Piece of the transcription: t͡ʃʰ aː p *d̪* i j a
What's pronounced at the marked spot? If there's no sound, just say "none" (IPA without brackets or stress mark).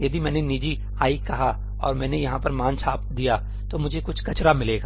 d̪